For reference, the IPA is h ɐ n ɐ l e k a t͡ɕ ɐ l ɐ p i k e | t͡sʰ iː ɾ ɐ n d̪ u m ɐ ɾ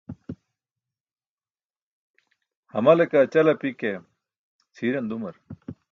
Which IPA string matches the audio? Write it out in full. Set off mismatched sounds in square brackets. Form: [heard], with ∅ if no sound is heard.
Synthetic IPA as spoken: h ɐ [m] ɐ l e k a t͡ɕ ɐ l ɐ p i k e | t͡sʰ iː ɾ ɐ n d̪ u m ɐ ɾ